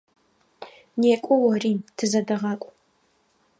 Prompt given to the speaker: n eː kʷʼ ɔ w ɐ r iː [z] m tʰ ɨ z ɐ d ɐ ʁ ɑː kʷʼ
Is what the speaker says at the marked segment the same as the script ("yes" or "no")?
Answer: no